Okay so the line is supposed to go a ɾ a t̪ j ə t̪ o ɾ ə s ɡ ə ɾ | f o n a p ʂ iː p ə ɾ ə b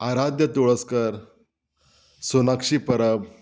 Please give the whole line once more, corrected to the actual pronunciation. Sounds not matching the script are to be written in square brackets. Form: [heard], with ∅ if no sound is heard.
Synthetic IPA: a ɾ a [d̪] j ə t̪ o [ɭ] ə s [k] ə ɾ | [s] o n a [k] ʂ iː p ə ɾ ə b

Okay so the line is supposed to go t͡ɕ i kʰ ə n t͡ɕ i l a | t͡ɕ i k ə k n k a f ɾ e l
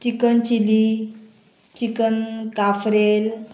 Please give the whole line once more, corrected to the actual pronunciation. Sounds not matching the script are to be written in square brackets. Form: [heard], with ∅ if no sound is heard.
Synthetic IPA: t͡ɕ i [k] ə n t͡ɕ i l [i] | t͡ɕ i k ə [∅] n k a f ɾ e l

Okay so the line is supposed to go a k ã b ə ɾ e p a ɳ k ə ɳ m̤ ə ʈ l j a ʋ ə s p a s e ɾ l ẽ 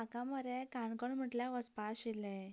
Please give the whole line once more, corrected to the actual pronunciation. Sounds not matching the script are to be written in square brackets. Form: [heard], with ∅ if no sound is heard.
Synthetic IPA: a k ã [m] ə ɾ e [k] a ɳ k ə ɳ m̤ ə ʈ l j a ʋ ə s p a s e [∅] l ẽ

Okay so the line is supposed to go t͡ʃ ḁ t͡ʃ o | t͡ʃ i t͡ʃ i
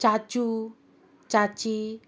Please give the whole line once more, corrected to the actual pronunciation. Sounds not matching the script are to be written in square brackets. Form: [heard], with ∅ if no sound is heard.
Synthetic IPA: t͡ʃ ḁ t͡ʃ [u] | t͡ʃ [a] t͡ʃ i

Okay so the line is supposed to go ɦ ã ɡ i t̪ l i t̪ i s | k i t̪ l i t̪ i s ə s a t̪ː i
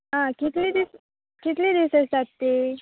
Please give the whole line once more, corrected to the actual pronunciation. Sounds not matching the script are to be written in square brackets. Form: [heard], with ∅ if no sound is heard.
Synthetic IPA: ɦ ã [k] i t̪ l i [d̪] i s | k i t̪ l i [d̪] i s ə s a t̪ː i

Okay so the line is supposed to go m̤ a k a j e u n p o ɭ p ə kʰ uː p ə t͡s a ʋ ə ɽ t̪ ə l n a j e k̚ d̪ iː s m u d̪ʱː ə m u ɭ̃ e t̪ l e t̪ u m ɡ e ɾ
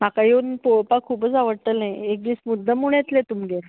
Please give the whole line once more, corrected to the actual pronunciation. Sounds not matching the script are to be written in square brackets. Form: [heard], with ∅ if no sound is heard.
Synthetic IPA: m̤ a k a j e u n p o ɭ p [a] kʰ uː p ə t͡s a ʋ ə ɽ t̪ ə l n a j e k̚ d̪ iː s m u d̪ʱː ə m u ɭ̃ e t̪ l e t̪ u m ɡ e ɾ

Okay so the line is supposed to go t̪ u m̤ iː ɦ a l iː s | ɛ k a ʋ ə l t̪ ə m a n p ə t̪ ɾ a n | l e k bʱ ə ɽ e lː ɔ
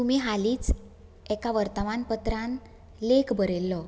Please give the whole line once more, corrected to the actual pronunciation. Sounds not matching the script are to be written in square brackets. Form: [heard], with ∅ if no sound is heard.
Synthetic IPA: t̪ u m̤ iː ɦ a l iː [t͡s] | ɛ k a ʋ ə [ɾ] t̪ ə m a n p ə t̪ ɾ a n | l e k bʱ ə [ɾ] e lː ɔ

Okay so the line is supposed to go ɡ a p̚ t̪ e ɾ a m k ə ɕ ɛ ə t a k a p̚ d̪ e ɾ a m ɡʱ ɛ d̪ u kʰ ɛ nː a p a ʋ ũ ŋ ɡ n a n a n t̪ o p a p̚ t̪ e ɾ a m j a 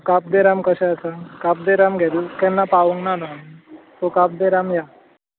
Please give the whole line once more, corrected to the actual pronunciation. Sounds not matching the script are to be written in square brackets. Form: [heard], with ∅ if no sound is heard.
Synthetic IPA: [k] a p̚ [d̪] e ɾ a m k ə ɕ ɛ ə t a k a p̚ d̪ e ɾ a m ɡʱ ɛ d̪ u [k] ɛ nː a p a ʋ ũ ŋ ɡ n a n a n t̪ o [k] a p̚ [d̪] e ɾ a m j a

